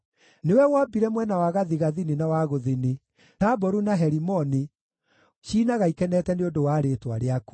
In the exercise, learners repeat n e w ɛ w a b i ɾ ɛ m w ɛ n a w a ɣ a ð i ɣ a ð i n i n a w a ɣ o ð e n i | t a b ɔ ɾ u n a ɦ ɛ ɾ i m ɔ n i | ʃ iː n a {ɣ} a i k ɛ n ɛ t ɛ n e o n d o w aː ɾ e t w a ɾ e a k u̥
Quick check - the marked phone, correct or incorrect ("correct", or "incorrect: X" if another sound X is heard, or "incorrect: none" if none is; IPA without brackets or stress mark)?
correct